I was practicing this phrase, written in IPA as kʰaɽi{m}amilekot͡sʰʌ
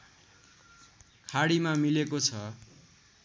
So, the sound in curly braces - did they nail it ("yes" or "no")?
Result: yes